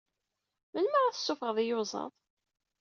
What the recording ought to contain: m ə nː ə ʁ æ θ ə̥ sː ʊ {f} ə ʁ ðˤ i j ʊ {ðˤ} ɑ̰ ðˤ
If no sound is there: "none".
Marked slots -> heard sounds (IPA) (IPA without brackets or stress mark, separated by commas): f, zˤ